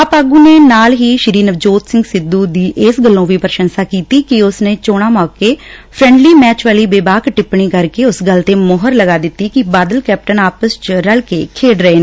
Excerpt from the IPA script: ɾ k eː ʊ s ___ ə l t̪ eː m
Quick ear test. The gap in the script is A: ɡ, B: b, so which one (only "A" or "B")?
A